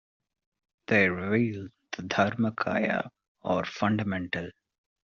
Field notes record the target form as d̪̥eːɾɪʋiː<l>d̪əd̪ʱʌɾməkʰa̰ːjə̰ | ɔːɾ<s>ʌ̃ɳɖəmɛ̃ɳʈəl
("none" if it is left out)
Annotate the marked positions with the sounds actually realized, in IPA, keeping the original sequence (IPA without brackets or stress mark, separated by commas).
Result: l, f